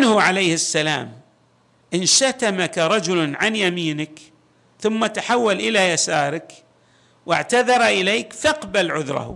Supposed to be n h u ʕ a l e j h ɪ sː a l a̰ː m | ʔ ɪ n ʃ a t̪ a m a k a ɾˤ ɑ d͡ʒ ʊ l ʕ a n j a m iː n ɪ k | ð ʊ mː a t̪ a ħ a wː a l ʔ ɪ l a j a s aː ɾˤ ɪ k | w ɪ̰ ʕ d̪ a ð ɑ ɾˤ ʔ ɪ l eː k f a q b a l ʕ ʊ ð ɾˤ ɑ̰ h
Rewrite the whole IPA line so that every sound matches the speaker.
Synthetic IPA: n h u ʕ a l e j h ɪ sː a l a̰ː m | ʔ ɪ n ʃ a t̪ a m a k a ɾˤ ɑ d͡ʒ ʊ l ʕ a n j a m iː n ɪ k | θ ʊ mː a t̪ a ħ a wː a l ʔ ɪ l a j a s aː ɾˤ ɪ k | w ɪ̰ ʕ t̪ a ð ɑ ɾˤ ʔ ɪ l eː k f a q b a l ʕ ʊ ð ɾˤ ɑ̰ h